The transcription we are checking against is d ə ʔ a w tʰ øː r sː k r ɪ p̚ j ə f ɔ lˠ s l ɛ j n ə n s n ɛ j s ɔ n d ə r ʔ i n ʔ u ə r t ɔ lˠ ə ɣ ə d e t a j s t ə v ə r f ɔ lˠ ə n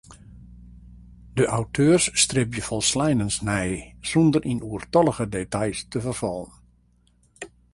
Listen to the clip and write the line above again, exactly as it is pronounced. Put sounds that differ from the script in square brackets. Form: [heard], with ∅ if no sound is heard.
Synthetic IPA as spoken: d ə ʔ a w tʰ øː r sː [t] r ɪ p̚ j ə f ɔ lˠ s l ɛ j n ə n s n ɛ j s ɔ n d ə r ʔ i n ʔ u ə r t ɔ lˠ ə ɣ ə d e t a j s t ə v ə r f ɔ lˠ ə n